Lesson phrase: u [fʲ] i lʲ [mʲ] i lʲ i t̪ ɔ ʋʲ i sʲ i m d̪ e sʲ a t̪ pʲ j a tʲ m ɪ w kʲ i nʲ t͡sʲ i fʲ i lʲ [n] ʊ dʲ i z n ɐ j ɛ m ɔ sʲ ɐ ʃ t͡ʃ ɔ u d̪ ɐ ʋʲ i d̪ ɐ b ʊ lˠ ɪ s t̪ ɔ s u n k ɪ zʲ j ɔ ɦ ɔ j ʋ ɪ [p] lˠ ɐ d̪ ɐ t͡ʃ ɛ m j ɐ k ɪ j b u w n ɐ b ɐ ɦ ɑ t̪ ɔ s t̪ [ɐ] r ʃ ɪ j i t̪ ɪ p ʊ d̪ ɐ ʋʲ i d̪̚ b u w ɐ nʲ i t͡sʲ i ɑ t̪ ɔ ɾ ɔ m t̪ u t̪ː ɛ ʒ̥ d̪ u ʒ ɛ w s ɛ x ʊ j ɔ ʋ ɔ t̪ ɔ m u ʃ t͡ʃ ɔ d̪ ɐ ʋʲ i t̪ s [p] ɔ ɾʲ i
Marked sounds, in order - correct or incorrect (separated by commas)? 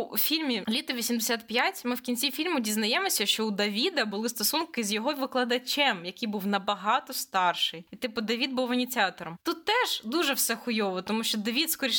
correct, correct, incorrect, incorrect, incorrect, incorrect